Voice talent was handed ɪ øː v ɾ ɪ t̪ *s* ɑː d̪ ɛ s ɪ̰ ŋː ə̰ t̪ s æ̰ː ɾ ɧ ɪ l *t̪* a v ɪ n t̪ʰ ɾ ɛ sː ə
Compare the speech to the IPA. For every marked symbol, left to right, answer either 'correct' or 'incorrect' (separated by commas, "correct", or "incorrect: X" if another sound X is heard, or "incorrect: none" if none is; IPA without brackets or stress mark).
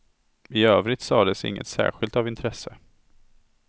correct, correct